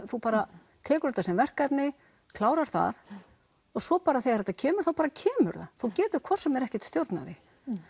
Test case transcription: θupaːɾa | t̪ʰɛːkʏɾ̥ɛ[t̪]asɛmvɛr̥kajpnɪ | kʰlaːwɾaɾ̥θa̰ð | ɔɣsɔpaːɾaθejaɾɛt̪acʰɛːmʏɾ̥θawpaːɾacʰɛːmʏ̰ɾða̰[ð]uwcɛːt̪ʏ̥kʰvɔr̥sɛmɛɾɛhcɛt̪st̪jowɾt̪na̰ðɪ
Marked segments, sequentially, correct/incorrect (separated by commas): correct, incorrect